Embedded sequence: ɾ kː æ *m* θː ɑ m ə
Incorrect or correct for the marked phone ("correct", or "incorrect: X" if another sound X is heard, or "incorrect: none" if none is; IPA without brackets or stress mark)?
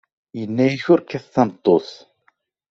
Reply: incorrect: none